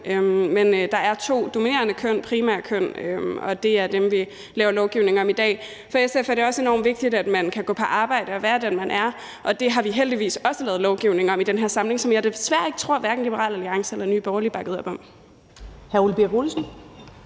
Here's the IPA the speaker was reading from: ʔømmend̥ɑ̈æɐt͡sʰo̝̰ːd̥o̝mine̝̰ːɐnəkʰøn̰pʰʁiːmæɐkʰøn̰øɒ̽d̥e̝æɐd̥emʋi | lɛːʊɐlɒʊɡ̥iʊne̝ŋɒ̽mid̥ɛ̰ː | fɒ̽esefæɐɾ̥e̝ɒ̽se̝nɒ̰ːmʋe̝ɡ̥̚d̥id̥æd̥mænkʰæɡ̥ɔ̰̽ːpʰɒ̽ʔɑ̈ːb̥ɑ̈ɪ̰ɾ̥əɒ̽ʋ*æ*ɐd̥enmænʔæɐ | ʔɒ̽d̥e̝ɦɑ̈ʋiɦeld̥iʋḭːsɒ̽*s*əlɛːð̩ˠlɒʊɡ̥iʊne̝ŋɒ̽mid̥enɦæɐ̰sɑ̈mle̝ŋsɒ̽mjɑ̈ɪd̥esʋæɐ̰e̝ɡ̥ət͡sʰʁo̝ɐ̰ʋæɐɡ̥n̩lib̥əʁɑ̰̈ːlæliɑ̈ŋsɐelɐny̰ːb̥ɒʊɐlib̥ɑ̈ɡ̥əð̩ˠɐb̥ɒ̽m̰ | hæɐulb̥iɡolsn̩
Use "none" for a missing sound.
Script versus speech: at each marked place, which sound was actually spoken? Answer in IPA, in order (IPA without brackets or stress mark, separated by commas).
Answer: æː, s